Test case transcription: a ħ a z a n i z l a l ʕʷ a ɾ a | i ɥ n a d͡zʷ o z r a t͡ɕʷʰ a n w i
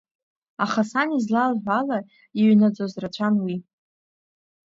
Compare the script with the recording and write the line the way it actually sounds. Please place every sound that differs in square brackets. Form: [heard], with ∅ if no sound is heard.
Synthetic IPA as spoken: a [χ] a [s] a n i z l a l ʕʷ a [l] a | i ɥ n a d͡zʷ o z r a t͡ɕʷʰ a n w i